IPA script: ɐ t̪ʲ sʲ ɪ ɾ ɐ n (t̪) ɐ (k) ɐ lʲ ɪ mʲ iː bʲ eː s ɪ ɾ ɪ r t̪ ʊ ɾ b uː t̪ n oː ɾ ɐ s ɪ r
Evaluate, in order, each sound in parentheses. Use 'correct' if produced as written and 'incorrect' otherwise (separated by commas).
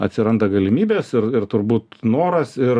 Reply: incorrect, incorrect